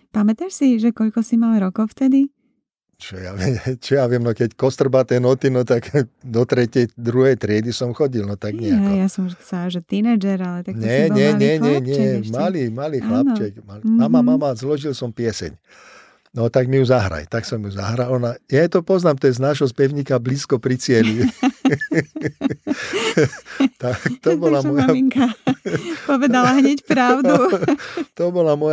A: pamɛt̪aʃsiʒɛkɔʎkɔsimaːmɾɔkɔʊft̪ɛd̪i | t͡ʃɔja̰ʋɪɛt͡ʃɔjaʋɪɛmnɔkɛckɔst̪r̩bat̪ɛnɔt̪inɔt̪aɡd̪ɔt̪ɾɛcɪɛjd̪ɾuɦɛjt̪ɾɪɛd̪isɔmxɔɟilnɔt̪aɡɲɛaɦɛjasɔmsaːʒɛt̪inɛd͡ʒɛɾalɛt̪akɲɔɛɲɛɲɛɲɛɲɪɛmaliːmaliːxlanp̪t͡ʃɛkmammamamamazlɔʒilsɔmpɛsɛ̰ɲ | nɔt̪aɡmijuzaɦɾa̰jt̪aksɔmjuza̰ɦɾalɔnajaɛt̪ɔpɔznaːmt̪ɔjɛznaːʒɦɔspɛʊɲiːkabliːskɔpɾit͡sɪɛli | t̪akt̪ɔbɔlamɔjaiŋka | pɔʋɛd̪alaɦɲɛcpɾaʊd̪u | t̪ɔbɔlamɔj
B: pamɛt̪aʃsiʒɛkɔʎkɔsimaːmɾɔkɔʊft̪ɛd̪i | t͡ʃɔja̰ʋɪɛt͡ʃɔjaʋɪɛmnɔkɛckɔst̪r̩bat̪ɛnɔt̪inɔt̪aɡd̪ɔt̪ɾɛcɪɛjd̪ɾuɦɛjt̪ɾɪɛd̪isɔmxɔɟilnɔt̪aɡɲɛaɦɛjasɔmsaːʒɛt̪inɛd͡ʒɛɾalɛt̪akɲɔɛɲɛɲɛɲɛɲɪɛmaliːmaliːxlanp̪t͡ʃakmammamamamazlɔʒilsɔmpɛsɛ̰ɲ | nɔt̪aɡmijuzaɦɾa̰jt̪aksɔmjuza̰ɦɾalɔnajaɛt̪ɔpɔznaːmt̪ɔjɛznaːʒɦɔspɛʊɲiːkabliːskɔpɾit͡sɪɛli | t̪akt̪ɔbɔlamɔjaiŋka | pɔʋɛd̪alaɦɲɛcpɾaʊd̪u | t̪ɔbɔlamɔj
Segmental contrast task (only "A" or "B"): A